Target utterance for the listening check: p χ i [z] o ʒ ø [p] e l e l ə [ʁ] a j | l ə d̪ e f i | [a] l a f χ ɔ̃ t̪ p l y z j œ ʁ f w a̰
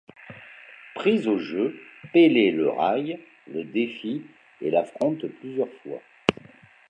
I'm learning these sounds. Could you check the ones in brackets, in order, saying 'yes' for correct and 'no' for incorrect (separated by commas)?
yes, yes, yes, no